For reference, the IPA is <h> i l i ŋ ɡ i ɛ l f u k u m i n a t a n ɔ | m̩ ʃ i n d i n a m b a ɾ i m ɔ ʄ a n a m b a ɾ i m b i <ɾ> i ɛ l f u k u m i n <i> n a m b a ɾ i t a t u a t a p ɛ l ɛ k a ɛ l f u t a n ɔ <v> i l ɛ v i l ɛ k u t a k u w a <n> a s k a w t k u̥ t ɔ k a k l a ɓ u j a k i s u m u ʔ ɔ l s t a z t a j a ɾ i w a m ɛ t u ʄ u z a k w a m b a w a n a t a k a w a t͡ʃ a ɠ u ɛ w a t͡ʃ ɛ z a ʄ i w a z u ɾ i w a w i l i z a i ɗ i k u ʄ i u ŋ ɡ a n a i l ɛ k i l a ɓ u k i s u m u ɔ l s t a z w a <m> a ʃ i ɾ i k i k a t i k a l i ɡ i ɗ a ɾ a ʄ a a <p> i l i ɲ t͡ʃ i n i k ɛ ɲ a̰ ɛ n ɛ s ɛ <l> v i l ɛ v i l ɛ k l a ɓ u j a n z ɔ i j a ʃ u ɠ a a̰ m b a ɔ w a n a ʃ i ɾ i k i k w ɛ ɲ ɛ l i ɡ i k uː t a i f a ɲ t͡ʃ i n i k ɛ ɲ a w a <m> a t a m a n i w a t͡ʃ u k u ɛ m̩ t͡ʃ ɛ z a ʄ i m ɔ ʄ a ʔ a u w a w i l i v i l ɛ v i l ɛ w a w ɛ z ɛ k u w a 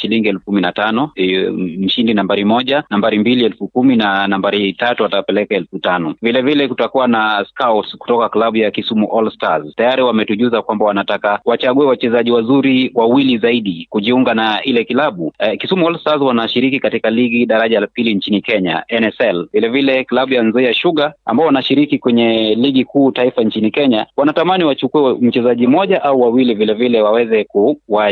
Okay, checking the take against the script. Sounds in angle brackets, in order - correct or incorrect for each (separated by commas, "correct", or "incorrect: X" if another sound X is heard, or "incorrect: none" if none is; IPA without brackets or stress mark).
incorrect: ʃ, incorrect: l, incorrect: a, correct, correct, incorrect: n, correct, correct, incorrect: n